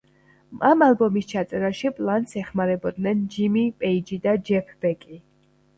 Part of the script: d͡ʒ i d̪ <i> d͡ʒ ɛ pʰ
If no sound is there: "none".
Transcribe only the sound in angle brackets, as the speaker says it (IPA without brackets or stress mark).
a